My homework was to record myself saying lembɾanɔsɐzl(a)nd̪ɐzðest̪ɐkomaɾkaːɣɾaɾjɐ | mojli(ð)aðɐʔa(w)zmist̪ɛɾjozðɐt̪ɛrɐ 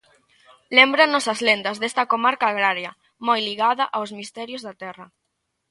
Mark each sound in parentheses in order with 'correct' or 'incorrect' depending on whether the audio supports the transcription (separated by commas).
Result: incorrect, incorrect, correct